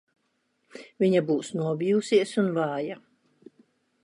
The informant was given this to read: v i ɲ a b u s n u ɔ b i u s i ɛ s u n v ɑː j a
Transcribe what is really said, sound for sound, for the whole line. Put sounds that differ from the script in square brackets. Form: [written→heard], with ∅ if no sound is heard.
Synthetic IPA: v i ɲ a b [u→uː] s n u ɔ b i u s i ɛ s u n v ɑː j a